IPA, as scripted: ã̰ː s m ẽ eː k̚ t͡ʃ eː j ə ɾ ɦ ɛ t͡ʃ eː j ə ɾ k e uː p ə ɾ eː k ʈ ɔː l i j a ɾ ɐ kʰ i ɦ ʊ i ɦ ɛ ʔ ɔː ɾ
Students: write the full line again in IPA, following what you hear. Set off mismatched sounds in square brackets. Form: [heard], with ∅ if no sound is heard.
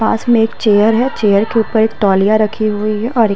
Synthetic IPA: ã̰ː s m ẽ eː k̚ t͡ʃ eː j ə ɾ ɦ ɛ t͡ʃ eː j ə ɾ k e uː p ə ɾ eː k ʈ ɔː l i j a ɾ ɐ kʰ i ɦ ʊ i ɦ ɛ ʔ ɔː ɾ

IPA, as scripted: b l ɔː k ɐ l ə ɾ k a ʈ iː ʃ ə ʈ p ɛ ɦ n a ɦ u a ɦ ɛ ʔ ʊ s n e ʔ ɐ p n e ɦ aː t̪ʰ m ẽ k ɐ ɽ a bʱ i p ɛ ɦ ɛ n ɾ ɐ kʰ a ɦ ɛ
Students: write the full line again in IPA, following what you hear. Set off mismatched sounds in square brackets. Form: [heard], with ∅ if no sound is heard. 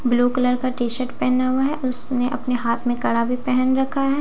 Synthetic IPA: b l [uː] k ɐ l ə ɾ k a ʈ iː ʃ ə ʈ p ɛ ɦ n a ɦ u a ɦ ɛ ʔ ʊ s n e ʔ ɐ p n e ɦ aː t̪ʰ m ẽ k ɐ ɽ a bʱ i p ɛ ɦ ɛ n ɾ ɐ kʰ a ɦ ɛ

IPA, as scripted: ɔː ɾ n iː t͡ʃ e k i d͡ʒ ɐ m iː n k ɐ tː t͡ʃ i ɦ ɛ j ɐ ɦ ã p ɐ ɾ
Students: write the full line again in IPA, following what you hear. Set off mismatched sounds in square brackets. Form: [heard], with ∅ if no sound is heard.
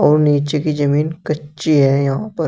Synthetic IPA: ɔː ɾ n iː t͡ʃ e k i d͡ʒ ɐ m iː n k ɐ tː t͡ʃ i ɦ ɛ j ɐ ɦ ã p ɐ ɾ

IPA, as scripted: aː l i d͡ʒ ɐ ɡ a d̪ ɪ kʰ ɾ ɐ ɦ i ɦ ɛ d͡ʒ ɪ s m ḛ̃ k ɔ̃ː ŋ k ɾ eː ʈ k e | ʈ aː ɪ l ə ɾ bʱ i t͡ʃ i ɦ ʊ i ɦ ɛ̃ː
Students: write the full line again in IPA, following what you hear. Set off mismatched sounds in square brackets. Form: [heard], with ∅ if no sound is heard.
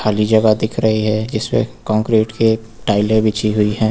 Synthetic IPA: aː l i d͡ʒ ɐ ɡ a d̪ ɪ kʰ ɾ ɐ ɦ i ɦ ɛ d͡ʒ ɪ s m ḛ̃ k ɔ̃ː ŋ k ɾ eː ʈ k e | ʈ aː ɪ l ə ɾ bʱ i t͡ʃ i ɦ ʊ i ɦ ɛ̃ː

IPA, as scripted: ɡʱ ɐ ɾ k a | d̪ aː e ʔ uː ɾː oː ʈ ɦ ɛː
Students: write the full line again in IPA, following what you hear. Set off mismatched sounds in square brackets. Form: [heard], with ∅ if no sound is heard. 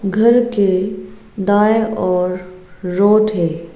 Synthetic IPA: ɡʱ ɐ ɾ k [e] | d̪ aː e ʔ [ɔː] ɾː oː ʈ ɦ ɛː

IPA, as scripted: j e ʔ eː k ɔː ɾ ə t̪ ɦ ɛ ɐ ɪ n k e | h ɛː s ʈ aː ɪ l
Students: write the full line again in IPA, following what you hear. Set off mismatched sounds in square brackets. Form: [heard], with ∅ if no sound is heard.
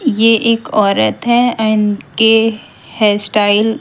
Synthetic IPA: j e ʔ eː k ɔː ɾ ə t̪ ɦ ɛ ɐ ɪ n k e | h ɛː s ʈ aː ɪ l

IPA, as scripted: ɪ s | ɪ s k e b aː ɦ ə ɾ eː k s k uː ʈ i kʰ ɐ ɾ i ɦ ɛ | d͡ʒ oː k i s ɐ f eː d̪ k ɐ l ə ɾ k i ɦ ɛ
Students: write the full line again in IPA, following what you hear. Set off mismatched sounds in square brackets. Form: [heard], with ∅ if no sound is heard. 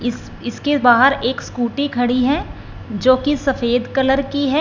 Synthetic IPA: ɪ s | ɪ s k e b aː ɦ ə ɾ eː k s k uː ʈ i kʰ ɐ [ɽ] i ɦ ɛ | d͡ʒ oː k i s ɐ f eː d̪ k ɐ l ə ɾ k i ɦ ɛ

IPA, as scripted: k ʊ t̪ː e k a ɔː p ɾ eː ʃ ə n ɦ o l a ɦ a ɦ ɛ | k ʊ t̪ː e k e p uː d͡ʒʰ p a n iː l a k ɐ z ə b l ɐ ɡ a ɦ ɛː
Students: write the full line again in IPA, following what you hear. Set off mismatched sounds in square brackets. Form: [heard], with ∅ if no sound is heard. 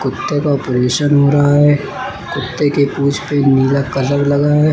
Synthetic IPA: k ʊ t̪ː e k a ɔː p ɾ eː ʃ ə n ɦ o [ɾ] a ɦ a ɦ ɛ | k ʊ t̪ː e k e p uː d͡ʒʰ p [e] n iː l a k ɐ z ə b l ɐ ɡ a ɦ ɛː

